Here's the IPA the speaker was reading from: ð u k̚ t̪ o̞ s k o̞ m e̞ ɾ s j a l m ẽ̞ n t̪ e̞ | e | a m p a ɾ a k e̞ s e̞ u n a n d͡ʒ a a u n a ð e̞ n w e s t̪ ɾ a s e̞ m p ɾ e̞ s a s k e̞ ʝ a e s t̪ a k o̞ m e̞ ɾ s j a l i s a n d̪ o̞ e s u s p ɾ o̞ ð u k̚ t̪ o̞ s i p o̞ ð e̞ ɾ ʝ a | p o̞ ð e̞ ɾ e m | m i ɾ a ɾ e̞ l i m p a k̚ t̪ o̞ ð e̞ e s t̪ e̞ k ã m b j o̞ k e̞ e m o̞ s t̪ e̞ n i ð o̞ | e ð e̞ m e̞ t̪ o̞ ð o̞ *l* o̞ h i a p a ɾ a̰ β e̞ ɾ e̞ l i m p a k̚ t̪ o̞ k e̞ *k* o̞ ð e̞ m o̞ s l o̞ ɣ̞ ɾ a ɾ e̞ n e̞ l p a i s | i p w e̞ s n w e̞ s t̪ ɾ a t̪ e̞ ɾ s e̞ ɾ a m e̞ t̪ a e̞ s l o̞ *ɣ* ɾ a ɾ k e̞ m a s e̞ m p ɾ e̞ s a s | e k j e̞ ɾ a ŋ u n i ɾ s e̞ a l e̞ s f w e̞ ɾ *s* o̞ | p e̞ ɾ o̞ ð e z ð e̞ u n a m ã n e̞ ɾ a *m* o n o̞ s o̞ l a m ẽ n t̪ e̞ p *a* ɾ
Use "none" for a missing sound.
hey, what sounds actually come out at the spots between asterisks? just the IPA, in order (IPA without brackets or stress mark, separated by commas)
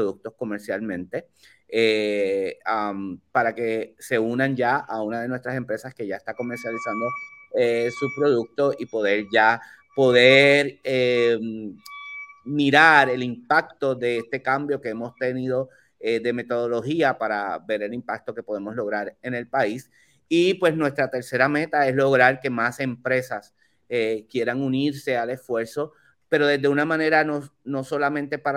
l, p, ɣ, s, n, a